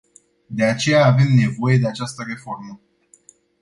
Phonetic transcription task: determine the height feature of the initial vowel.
mid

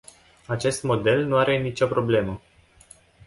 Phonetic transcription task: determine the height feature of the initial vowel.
low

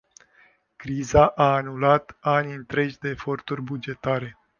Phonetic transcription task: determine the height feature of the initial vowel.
high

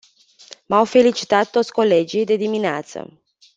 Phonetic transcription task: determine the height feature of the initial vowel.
low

